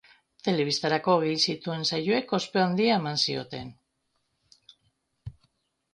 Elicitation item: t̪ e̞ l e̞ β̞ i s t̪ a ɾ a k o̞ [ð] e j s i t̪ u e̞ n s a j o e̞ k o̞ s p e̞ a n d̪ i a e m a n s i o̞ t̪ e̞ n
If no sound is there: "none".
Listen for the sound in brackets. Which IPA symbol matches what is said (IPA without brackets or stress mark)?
ɣ